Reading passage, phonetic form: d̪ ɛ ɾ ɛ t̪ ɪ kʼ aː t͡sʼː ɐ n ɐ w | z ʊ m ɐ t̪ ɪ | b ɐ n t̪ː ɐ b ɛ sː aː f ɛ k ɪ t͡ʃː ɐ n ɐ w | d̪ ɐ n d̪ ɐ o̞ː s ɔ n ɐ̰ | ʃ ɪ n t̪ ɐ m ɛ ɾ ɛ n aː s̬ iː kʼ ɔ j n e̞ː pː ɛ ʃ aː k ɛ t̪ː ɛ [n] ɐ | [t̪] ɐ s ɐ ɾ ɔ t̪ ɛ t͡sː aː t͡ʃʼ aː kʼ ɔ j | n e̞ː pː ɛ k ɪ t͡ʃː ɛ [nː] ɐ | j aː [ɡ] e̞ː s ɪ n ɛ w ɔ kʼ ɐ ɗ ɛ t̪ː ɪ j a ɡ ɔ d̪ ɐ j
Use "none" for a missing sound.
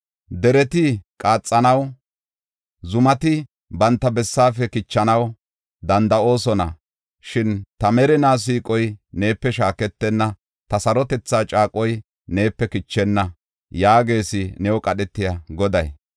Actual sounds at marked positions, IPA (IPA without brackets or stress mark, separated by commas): nː, t̪, nː, ɡ